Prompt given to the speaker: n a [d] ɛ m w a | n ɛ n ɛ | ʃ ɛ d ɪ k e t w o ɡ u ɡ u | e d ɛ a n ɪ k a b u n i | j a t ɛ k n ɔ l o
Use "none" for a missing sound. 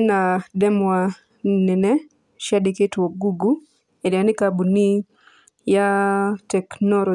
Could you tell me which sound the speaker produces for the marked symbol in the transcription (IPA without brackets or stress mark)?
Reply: d